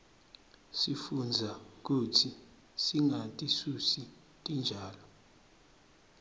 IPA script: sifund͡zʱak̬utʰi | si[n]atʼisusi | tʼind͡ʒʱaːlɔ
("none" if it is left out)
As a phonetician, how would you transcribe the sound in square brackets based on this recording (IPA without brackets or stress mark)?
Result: ŋ